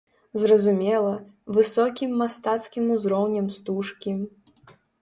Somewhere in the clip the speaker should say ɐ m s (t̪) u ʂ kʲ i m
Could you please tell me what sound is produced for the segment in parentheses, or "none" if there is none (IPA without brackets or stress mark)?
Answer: t̪